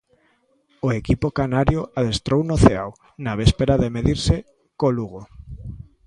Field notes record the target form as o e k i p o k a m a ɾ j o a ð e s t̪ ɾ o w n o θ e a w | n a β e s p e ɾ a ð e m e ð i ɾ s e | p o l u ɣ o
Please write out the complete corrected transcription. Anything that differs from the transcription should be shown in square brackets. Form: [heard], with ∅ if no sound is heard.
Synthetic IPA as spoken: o e k i p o k a [n] a ɾ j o a ð e s t̪ ɾ o w n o θ e a w | n a β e s p e ɾ a ð e m e ð i ɾ s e | [k] o l u ɣ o